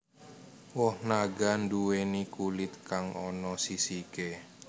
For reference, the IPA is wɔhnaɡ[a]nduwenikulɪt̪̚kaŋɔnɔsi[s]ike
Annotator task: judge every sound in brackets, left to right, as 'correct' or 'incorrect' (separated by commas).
correct, correct